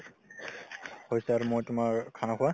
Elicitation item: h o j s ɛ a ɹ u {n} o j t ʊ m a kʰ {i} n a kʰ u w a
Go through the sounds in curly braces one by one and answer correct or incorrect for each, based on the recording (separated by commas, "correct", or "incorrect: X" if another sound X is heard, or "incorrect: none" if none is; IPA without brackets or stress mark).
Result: incorrect: m, incorrect: a